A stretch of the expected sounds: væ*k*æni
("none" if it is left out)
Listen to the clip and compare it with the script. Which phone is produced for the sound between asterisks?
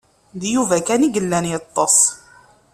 k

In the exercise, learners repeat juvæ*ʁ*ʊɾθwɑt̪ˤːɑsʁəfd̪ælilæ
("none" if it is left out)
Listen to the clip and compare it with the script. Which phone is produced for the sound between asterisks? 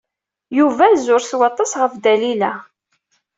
z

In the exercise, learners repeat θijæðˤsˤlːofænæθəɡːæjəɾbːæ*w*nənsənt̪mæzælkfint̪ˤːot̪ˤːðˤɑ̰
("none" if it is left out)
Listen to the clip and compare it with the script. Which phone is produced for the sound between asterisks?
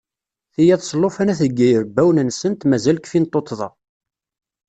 w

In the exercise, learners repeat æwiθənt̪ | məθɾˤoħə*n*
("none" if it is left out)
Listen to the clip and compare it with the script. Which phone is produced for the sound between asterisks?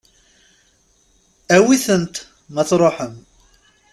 m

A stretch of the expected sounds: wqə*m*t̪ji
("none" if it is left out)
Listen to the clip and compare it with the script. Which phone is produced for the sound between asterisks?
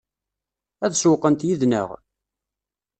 n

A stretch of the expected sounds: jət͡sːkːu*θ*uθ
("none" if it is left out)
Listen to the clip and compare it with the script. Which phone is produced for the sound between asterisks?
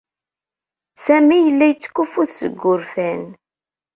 f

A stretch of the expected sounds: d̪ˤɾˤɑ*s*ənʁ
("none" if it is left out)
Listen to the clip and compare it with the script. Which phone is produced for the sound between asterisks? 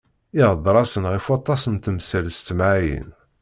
s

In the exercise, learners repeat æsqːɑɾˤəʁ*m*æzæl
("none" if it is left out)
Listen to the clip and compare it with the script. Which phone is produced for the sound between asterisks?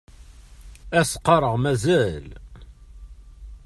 m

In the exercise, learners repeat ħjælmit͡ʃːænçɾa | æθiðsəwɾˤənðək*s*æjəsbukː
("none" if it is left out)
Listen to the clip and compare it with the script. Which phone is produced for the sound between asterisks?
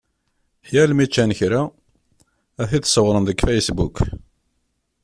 f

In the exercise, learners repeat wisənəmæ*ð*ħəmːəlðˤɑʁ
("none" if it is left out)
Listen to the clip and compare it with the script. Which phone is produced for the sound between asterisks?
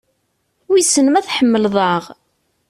θ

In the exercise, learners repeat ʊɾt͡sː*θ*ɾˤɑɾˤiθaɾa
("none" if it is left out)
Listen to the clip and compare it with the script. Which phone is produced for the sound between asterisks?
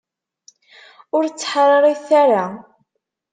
ħ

